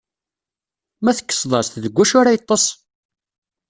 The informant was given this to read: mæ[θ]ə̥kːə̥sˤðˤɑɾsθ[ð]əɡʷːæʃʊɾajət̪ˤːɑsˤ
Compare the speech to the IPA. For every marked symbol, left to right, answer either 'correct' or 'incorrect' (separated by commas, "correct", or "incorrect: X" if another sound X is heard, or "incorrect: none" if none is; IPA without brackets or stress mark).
correct, correct